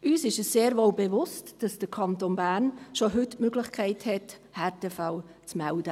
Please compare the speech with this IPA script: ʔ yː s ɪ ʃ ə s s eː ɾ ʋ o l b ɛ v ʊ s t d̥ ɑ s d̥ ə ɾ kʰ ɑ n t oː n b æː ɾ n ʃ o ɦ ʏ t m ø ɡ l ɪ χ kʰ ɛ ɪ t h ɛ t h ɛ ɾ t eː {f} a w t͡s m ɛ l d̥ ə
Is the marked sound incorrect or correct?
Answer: correct